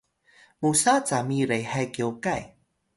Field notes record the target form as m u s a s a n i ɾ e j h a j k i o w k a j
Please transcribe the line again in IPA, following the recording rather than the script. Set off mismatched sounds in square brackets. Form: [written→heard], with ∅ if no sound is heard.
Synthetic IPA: m u s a [s→t͡s] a [n→m] i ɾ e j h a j k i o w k a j